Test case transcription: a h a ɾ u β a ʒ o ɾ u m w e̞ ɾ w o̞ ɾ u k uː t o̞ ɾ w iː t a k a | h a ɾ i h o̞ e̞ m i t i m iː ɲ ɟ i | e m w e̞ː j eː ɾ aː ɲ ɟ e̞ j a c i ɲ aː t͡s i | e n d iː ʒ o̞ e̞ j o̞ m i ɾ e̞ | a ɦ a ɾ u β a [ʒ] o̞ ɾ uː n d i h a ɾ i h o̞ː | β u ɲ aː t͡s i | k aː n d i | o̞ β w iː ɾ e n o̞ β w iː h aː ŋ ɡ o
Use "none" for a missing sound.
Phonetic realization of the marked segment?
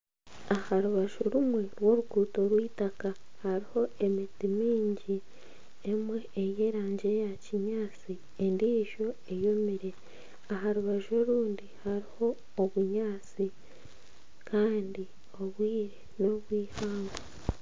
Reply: ʒ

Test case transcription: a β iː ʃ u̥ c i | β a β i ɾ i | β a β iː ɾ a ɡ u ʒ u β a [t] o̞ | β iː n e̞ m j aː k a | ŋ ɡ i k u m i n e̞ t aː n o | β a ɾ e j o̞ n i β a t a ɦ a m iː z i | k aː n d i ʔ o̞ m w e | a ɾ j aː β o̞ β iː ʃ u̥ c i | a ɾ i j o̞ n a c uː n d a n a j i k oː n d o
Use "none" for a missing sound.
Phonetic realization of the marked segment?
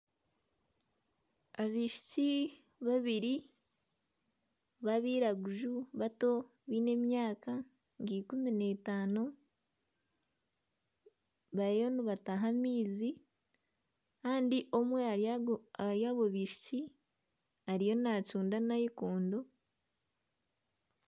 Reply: t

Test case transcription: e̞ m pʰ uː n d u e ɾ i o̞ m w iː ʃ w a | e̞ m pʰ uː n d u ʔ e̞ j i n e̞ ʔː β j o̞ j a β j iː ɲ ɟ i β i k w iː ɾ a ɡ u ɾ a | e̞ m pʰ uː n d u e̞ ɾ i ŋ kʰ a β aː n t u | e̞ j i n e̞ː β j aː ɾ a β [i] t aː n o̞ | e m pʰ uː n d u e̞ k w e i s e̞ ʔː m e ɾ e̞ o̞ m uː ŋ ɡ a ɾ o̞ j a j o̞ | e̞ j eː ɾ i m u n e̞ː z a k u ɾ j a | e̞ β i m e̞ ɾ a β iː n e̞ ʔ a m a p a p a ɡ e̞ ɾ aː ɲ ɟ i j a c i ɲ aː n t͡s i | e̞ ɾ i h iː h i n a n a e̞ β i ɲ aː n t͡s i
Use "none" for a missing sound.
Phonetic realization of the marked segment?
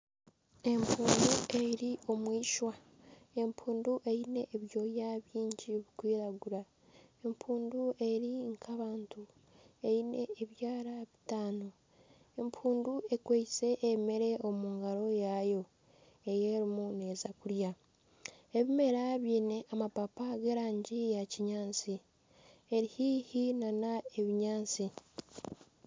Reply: i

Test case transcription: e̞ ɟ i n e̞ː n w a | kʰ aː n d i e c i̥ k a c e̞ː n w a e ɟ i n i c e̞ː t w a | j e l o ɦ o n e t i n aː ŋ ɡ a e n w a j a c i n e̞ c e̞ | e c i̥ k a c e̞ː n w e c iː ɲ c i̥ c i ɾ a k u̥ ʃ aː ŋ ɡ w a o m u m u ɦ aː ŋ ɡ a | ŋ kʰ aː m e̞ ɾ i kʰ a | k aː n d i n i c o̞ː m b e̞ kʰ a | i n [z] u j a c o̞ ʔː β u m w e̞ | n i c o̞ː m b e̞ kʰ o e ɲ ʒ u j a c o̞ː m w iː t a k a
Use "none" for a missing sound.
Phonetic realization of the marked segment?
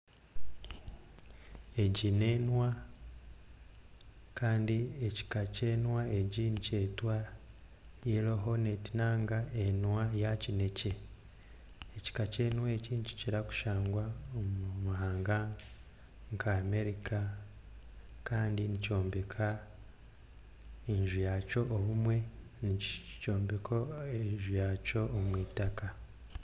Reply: ʒ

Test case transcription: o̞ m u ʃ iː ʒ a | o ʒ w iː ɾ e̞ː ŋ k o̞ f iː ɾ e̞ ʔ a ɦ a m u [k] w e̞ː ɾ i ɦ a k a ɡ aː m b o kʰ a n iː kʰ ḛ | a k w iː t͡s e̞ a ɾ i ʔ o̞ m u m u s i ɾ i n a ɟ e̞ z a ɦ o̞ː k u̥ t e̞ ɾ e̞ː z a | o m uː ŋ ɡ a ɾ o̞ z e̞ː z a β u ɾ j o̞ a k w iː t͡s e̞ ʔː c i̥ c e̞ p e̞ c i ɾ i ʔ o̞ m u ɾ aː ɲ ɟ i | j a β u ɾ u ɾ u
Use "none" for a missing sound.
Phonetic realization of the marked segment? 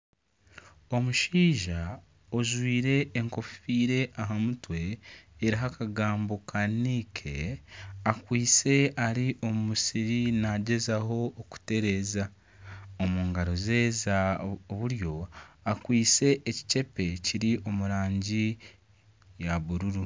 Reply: t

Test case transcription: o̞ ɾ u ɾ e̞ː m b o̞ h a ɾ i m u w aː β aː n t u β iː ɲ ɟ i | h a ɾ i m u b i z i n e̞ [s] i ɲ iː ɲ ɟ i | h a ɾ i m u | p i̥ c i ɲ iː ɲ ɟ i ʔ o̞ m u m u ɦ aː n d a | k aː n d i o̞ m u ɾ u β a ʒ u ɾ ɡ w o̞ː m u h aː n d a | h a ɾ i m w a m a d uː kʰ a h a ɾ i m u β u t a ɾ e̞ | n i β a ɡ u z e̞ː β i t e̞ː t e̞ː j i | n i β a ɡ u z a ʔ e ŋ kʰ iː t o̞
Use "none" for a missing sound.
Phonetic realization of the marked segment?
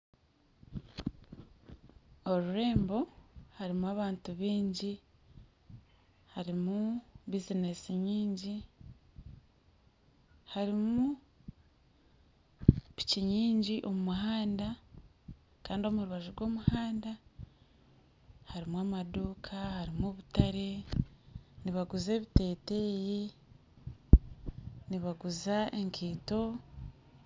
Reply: s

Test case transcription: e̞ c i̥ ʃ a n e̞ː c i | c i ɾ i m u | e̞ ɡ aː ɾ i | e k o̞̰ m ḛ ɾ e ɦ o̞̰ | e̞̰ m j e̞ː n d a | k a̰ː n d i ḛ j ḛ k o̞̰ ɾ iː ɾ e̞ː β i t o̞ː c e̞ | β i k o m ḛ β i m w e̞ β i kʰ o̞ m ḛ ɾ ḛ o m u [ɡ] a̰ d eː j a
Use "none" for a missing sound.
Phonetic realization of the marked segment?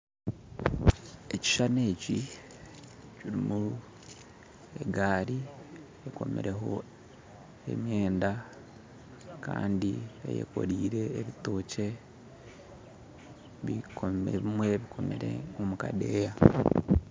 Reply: k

